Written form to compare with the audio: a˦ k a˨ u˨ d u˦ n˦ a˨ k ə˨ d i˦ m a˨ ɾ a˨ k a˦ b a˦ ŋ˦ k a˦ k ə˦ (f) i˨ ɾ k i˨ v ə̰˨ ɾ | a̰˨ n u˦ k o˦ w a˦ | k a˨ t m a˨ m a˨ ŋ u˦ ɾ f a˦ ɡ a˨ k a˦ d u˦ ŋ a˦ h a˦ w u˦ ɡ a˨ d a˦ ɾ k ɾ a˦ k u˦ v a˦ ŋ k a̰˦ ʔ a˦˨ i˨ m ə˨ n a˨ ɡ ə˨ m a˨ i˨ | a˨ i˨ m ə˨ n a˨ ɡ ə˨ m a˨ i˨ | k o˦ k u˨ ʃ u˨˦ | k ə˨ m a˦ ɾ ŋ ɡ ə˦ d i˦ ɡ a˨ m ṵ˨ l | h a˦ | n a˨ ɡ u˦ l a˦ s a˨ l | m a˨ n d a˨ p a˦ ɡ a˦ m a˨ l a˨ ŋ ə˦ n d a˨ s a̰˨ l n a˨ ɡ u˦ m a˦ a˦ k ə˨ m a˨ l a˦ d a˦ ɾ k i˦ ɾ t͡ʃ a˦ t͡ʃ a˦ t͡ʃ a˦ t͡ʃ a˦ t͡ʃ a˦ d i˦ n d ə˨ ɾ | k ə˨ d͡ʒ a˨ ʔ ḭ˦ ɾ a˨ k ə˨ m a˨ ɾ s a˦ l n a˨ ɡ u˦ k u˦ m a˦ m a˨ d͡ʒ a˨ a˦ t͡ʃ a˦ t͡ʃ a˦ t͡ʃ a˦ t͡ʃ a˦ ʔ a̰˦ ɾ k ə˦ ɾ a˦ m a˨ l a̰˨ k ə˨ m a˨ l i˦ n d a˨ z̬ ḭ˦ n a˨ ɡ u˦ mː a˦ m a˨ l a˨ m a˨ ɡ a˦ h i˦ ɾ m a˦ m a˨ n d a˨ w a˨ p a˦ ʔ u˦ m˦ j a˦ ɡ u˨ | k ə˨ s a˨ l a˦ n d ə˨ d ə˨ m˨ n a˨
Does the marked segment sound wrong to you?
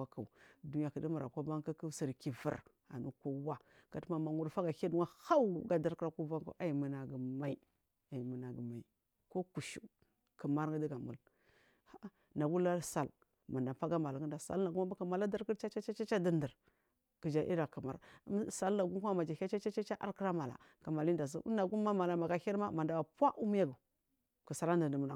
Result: yes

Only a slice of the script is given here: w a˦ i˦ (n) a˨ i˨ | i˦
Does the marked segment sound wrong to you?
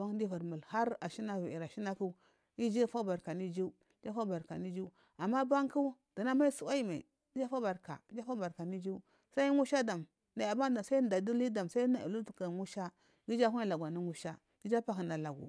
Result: yes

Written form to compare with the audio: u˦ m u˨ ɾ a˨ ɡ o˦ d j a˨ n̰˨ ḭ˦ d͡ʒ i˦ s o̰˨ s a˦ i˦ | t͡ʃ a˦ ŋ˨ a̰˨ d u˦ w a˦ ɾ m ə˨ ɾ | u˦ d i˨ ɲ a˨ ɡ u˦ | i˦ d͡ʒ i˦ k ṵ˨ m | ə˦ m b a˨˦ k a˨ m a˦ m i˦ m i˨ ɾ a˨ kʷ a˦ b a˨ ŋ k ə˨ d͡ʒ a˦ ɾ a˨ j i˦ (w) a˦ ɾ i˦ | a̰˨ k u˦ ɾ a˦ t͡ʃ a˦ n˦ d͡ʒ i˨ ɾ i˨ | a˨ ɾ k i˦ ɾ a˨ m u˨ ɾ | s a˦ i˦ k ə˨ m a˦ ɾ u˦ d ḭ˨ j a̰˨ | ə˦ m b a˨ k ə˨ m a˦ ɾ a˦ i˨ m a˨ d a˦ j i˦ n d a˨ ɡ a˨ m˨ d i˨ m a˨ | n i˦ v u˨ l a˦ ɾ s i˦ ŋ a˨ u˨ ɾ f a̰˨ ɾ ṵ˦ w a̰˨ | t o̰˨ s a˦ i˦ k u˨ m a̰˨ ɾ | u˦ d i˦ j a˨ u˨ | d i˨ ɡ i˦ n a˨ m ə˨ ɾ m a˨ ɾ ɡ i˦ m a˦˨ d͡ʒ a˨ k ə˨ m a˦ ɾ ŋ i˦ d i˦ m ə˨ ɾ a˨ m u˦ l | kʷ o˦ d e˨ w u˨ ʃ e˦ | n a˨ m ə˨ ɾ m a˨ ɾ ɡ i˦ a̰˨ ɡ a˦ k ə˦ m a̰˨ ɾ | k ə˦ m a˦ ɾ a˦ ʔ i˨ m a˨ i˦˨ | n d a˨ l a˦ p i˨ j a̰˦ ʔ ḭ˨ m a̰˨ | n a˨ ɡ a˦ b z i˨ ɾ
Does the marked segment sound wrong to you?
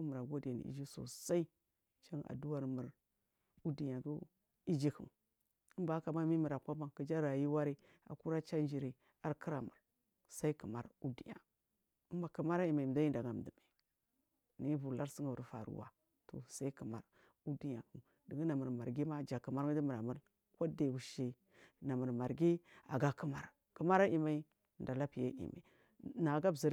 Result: no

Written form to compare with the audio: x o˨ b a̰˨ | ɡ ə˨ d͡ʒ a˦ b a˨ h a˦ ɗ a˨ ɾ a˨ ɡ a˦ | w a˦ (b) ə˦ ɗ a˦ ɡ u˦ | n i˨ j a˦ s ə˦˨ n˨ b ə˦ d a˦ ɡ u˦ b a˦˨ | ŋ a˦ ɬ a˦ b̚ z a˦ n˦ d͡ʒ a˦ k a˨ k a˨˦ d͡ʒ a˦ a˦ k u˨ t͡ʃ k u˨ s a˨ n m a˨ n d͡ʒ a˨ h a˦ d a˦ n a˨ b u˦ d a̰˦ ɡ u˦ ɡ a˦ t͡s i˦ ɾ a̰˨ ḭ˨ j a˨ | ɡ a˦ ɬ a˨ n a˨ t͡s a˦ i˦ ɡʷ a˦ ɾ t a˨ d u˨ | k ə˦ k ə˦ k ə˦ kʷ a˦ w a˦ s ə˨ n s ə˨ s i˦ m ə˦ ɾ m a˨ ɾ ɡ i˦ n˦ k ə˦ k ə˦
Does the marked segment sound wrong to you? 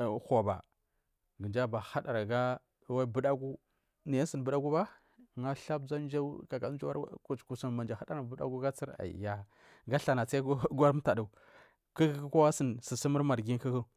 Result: no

